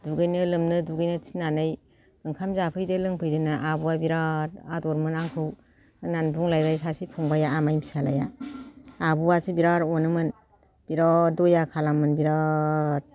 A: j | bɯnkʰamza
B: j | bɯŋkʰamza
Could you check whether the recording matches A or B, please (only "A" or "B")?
B